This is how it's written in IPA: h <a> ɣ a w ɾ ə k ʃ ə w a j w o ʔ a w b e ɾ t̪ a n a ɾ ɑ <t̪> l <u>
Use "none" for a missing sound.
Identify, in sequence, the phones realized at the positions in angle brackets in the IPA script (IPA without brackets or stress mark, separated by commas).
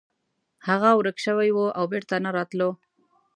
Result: a, t̪, o